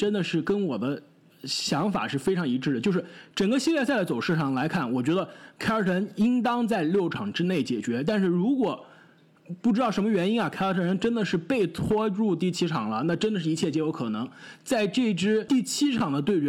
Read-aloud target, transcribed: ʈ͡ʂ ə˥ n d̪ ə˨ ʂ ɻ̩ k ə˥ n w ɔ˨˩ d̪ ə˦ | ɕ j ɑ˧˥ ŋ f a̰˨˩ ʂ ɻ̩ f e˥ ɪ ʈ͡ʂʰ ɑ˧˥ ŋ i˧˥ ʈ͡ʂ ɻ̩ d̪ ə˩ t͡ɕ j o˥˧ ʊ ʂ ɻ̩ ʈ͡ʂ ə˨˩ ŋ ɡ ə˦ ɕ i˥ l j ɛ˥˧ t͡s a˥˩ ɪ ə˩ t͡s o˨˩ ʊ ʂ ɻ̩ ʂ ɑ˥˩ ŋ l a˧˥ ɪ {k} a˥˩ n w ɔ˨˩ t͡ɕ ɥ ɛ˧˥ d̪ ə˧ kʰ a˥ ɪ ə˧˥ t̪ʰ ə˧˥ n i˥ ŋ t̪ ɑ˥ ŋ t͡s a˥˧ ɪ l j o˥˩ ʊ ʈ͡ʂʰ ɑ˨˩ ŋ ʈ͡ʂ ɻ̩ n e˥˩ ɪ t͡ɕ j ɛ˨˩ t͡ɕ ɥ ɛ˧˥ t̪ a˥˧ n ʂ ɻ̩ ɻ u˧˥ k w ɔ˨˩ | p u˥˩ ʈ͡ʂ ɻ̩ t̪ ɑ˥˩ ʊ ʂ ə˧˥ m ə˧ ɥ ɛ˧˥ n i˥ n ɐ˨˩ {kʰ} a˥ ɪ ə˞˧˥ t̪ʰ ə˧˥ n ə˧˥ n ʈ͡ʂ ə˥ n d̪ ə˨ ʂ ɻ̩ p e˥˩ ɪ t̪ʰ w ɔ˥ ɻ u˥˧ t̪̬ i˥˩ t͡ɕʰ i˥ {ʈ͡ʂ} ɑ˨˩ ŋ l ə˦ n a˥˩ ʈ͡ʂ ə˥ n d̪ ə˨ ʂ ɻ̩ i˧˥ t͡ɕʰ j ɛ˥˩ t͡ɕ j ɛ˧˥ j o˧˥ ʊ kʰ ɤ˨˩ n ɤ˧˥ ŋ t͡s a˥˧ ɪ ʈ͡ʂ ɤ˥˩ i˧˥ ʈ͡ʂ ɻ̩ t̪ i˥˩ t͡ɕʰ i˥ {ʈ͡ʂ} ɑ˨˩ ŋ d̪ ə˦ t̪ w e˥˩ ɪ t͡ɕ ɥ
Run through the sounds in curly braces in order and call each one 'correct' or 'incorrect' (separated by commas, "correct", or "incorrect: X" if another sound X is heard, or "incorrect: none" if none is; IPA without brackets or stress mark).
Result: incorrect: kʰ, correct, incorrect: ʈ͡ʂʰ, incorrect: ʈ͡ʂʰ